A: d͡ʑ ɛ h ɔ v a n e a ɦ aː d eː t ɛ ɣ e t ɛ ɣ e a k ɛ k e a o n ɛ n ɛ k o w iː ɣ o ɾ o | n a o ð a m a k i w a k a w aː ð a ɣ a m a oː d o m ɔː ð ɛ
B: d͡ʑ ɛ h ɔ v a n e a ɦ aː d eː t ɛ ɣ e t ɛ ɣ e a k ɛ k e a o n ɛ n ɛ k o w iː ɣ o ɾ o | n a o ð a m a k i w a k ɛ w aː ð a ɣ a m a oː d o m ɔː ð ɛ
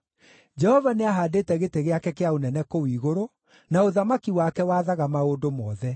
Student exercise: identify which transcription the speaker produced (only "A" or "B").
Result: B